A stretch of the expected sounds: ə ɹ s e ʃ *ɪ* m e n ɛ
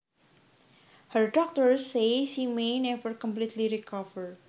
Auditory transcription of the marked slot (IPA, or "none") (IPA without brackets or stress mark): i